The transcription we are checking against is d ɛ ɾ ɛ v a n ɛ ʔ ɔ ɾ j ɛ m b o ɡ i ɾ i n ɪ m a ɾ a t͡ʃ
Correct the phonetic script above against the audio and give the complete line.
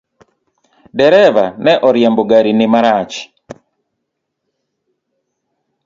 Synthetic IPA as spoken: d ɛ ɾ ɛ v a n ɛ ʔ ɔ ɾ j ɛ m b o ɡ a ɾ i n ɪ m a ɾ a t͡ʃ